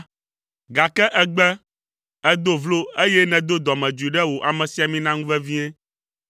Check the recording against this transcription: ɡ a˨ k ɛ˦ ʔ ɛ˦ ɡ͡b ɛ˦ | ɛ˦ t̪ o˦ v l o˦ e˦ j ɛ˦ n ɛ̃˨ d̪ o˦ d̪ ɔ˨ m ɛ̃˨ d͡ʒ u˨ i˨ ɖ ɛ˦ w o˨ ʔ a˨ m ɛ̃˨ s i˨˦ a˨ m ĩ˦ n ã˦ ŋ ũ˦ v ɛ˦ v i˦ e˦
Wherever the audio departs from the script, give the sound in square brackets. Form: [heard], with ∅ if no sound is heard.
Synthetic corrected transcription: ɡ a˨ k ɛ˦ ʔ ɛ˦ ɡ͡b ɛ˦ | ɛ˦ [d̪] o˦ v l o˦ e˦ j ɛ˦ n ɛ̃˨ d̪ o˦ d̪ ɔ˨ m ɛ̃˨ d͡ʒ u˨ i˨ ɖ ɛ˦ w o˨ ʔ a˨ m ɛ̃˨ s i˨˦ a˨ m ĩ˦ n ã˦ ŋ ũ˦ v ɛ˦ v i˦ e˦